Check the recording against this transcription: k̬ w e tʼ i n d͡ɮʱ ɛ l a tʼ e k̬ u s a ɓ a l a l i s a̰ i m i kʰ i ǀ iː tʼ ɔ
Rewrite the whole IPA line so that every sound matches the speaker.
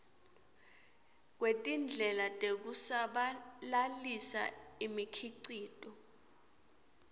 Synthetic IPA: k̬ w e tʼ i n d͡ɮʱ ɛ l a tʼ e k̬ u s a ɓ a l a l i s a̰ i m i kʰ i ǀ iː tʼ ɔ